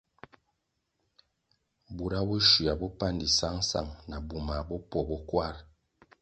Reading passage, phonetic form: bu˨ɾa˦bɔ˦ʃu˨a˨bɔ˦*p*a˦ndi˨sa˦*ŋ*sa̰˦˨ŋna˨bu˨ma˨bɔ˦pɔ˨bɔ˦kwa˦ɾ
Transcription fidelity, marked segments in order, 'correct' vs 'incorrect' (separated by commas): correct, correct